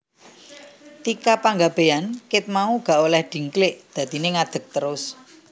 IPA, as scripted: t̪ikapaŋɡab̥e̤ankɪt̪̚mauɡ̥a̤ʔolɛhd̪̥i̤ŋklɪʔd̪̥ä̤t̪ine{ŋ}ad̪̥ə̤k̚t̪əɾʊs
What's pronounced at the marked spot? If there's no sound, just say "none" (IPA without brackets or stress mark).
ŋ